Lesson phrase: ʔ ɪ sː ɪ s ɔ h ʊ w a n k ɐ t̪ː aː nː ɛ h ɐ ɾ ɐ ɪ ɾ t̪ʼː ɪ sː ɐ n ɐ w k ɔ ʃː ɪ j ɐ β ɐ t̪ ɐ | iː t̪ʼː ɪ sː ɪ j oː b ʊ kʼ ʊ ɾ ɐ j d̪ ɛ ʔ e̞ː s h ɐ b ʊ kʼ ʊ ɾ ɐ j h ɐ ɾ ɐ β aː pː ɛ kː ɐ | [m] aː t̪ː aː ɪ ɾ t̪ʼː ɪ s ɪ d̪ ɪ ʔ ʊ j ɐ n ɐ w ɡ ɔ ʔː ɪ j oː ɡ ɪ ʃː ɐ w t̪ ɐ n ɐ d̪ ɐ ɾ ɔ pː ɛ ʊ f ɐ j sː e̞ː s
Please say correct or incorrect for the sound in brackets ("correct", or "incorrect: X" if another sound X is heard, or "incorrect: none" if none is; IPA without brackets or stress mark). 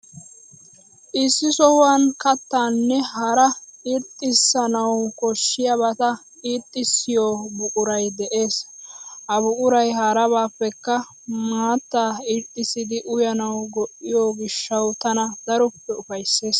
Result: correct